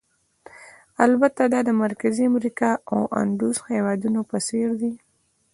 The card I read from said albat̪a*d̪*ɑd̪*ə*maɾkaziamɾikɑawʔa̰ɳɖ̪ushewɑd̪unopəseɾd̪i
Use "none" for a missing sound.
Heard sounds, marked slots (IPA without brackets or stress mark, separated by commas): d̪, ə